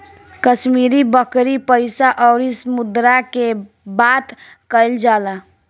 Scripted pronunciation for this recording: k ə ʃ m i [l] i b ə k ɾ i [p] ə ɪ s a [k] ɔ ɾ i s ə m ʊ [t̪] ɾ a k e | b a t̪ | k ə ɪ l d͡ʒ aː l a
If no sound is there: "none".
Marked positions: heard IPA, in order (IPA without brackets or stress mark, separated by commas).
ɾ, p, ʔ, d̪